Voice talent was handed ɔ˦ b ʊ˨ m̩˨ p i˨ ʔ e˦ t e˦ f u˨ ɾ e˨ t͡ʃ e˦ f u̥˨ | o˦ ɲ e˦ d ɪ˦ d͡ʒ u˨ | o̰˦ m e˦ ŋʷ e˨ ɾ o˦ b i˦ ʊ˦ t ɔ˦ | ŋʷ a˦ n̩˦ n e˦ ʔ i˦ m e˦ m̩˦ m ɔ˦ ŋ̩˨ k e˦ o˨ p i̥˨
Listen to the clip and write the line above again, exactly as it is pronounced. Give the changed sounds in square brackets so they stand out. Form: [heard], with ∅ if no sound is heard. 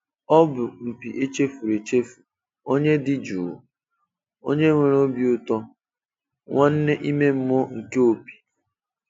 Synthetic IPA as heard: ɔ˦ b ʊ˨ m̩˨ p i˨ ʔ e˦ [t͡ʃ] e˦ f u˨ ɾ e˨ t͡ʃ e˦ f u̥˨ | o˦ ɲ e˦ d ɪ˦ d͡ʒ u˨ | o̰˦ [ɲ] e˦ ŋʷ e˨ ɾ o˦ b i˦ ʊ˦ t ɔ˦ | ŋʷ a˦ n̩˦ n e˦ ʔ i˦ m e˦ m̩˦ m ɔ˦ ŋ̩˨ k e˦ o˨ p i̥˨